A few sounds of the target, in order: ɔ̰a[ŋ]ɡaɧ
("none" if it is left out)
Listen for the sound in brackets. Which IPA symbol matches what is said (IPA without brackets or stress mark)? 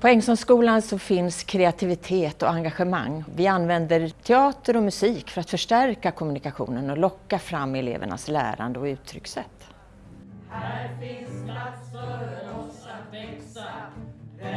ŋ